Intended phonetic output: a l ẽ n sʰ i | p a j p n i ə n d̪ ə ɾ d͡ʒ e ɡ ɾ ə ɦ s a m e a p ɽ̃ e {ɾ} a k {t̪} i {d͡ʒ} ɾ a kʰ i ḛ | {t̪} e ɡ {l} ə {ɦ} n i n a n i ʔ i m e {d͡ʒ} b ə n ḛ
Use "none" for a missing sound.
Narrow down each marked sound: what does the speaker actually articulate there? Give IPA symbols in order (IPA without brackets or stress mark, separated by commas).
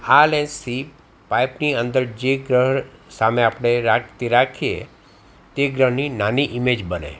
ɾ, t̪, none, t̪, ɾ, ɦ, d͡ʒ